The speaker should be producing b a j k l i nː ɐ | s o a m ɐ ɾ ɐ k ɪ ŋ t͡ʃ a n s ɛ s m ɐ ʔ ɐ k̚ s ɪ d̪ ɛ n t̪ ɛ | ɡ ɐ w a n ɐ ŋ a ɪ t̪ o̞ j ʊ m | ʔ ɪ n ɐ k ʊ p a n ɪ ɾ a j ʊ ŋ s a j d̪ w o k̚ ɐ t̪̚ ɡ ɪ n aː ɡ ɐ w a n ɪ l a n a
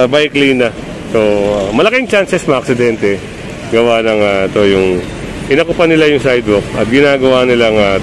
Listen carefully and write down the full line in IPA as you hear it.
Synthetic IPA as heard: b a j k l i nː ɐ | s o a m ɐ l ɐ k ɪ ŋ t͡ʃ a n s ɛ s m ɐ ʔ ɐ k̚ s ɪ d̪ ɛ n t̪ ɛ | ɡ ɐ w a n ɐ ŋ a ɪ t̪ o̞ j ʊ ŋ | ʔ ɪ n ɐ k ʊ p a n ɪ l a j ʊ ŋ s a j d̪ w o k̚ ɐ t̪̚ ɡ ɪ n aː ɡ ɐ w a n ɪ l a ŋ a